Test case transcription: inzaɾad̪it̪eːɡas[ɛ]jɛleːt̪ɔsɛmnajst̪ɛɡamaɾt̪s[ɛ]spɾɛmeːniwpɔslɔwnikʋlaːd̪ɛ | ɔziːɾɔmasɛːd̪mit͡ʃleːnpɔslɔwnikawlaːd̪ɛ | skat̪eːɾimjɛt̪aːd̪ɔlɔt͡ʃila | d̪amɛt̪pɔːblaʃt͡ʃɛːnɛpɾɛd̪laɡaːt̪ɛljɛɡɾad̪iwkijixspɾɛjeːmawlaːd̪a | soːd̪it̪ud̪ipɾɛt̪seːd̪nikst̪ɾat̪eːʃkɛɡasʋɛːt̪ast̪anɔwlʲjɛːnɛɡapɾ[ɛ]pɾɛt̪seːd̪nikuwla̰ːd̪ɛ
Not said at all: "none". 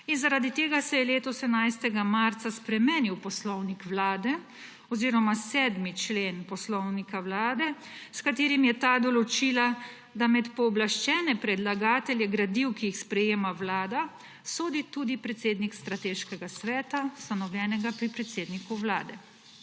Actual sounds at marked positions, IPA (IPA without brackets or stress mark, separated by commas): ɛ, a, i